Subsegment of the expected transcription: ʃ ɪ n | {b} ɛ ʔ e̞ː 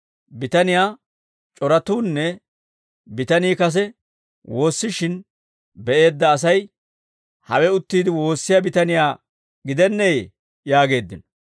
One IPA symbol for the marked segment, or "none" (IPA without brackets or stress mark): b